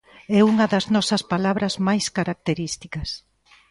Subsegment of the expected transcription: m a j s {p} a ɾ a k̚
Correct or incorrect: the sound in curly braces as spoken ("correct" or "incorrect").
incorrect